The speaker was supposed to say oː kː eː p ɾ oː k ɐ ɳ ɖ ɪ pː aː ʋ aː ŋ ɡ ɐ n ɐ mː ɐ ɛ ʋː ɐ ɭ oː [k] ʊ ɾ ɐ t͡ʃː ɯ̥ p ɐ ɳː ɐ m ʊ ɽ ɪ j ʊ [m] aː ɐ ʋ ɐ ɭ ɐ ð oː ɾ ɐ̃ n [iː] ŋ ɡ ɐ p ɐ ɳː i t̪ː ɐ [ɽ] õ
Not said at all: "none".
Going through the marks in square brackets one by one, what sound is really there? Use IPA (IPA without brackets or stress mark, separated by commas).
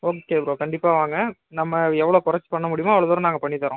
k, m, aː, ɾ